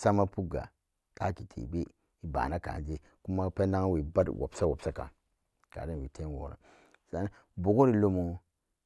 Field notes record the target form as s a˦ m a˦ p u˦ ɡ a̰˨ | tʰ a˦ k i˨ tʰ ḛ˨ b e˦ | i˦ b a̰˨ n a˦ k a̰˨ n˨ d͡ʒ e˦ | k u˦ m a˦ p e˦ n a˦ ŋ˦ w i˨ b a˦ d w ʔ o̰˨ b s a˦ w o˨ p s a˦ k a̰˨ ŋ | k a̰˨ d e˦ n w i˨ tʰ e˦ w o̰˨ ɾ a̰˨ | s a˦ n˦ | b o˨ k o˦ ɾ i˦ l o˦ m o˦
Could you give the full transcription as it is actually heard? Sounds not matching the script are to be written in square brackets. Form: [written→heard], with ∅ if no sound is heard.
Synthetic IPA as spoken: s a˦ m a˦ p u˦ ɡ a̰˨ | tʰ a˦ k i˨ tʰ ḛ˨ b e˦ | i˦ b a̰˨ n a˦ k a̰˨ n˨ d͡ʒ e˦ | k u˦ m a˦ p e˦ n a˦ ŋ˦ w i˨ b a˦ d w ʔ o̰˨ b s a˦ w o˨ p s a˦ k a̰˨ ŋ | k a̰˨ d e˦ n w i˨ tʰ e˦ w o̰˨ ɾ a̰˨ | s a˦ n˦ | b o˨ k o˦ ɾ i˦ l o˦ m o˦

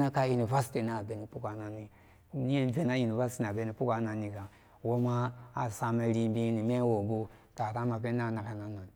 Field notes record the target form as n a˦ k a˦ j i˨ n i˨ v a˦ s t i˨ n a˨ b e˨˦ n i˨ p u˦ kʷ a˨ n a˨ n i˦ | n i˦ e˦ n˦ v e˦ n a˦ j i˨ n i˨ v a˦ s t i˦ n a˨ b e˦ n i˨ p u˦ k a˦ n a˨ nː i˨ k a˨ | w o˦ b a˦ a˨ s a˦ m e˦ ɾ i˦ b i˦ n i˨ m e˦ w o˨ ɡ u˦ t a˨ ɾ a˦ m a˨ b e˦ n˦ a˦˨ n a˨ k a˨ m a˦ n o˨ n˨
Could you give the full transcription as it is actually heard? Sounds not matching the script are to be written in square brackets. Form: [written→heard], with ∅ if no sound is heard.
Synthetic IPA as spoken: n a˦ k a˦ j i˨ n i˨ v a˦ s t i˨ n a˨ b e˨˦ n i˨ p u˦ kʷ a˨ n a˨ n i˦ | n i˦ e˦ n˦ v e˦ n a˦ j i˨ n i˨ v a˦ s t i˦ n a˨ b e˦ n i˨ p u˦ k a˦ n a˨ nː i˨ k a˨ | w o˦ [b→m] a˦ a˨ s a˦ m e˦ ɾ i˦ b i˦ n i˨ m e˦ w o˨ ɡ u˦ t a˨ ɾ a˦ m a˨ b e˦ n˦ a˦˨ n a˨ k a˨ [m→n] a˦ n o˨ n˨

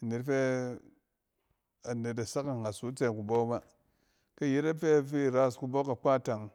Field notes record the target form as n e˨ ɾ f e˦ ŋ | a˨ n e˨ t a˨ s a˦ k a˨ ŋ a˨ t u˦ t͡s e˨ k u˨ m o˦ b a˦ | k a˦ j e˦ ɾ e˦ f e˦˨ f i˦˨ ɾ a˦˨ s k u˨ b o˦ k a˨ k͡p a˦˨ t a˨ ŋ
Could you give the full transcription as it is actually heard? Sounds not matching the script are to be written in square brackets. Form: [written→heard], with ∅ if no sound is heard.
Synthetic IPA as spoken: n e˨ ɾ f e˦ [ŋ→∅] | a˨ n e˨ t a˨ s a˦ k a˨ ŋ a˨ [t→s] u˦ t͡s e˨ k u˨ [m→b] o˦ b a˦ | k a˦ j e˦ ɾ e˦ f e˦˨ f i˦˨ ɾ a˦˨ s k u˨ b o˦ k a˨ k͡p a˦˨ t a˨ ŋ

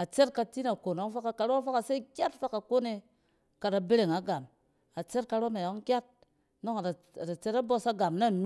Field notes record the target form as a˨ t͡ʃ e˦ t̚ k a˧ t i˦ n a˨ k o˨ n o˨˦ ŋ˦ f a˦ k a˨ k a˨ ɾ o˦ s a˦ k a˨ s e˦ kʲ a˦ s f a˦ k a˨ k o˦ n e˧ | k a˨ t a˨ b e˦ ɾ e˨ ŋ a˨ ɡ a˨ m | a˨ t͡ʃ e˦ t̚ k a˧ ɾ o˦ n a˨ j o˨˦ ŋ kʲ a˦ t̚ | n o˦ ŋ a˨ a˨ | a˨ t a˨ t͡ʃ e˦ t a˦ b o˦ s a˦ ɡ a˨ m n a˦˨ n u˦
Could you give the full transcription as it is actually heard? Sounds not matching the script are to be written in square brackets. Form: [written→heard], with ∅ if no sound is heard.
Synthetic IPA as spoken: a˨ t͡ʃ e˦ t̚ k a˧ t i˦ n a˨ k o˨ n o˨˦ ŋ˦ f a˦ k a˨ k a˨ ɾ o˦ [s→f] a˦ k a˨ s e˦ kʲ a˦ [s→t] f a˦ k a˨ k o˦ n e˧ | k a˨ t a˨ b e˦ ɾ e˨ ŋ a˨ ɡ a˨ m | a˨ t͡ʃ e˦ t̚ k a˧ ɾ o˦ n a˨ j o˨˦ ŋ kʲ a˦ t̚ | n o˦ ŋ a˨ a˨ | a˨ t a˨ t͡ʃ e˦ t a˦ b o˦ s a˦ ɡ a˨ m n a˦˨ n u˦

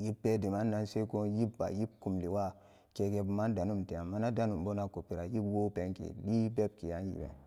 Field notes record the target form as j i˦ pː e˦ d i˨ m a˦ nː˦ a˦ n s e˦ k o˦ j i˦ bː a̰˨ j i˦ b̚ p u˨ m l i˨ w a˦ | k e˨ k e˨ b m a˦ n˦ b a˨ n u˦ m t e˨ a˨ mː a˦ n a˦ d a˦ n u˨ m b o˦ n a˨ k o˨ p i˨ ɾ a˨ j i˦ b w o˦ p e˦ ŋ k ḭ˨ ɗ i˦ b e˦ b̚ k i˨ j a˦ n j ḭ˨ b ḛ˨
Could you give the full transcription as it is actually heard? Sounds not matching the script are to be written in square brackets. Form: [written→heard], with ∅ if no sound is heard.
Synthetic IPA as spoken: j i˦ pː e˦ d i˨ m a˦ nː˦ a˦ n s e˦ k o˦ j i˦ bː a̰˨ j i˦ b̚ [p→k] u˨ m l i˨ w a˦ | k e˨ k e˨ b m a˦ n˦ [b→d] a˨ n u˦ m t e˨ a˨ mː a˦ n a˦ d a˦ n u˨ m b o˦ n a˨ k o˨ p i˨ ɾ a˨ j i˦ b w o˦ p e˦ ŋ k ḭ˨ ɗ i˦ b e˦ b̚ k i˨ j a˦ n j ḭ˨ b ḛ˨

